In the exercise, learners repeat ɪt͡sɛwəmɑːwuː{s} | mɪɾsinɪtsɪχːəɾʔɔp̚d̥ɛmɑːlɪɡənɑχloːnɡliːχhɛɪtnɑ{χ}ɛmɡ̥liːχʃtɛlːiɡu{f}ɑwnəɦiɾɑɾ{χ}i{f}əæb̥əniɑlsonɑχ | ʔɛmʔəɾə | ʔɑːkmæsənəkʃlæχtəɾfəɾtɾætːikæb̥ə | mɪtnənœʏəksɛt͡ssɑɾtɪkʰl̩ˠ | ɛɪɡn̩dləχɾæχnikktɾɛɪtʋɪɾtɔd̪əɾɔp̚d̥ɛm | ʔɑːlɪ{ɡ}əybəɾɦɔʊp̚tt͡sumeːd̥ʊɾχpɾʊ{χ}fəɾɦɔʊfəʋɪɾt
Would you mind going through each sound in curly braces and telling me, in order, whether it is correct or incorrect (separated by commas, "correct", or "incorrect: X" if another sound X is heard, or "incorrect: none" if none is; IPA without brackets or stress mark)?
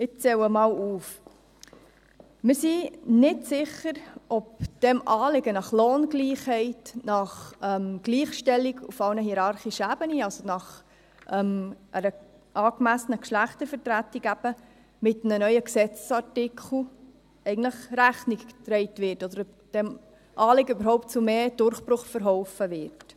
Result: incorrect: f, correct, correct, correct, incorrect: ʃ, correct, correct